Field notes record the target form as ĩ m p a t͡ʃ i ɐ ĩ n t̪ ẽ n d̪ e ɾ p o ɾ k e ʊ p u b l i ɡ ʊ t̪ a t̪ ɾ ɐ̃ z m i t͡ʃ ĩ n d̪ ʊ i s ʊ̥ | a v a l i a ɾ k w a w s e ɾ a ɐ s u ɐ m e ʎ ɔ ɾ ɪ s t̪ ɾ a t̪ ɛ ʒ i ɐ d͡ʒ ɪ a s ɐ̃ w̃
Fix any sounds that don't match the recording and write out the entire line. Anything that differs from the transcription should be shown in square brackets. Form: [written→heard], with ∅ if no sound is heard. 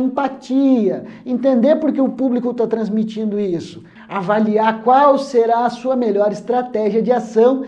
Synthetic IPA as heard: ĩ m p a t͡ʃ i ɐ [ĩ→ẽ] n t̪ ẽ n d̪ e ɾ p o ɾ k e ʊ p u b l i [ɡ→k] ʊ t̪ a t̪ ɾ ɐ̃ z m i t͡ʃ ĩ n d̪ ʊ i s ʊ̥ | a v a l i a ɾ k w a w s e ɾ a ɐ s u ɐ m e ʎ ɔ ɾ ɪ s t̪ ɾ a t̪ ɛ ʒ i ɐ d͡ʒ ɪ a s ɐ̃ w̃